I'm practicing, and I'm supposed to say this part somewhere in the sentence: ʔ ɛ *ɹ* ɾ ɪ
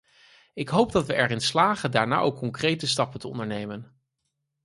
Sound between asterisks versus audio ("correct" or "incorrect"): correct